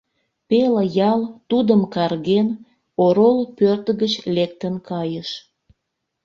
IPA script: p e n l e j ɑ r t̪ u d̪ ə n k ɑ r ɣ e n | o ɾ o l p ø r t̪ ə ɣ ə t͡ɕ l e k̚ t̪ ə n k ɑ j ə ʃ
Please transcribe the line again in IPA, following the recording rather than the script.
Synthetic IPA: p e l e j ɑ l t̪ u d̪ ə m k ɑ r ɣ e n | o ɾ o l p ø r t̪ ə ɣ ə t͡ɕ l e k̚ t̪ ə n k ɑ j ə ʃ